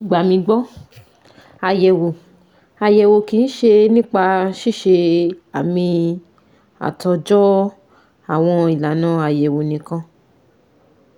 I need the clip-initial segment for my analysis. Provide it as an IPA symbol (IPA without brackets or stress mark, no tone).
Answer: ɡ͡b